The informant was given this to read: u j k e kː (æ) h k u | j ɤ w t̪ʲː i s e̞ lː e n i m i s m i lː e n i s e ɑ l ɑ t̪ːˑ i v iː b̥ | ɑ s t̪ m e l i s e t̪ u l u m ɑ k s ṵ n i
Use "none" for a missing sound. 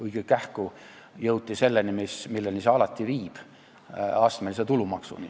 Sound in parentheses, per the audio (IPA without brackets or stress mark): æ